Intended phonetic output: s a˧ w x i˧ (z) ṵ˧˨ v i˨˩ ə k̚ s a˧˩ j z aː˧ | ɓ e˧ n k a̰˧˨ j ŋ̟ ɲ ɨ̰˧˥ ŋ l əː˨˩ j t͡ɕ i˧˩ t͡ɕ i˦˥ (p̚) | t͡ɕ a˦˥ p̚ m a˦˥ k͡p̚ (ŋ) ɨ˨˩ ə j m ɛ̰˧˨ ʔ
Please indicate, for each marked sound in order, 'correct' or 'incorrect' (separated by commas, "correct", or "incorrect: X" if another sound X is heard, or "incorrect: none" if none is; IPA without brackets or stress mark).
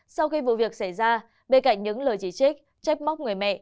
incorrect: v, incorrect: k̚, correct